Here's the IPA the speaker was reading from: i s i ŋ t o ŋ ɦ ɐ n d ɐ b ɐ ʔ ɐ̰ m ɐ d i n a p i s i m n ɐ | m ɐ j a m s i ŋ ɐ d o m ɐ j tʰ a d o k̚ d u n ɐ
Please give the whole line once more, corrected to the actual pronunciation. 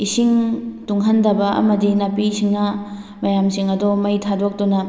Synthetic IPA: i s i ŋ t u ŋ ɦ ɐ n d ɐ b ɐ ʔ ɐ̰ m ɐ d i n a p i s i ŋ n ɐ | m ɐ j a m s i ŋ ɐ d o m ɐ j tʰ a d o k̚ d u n ɐ